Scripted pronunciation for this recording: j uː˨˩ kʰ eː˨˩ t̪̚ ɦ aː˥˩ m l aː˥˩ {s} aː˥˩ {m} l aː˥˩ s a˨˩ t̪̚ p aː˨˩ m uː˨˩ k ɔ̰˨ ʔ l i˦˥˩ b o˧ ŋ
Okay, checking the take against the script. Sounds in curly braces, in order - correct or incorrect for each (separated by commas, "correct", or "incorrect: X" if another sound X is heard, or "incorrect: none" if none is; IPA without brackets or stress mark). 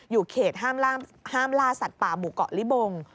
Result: incorrect: h, correct